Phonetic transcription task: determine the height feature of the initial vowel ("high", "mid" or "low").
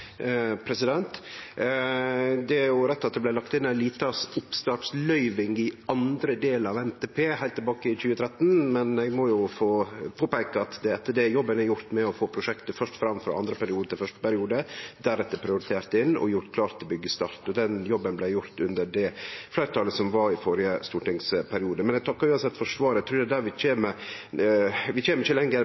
mid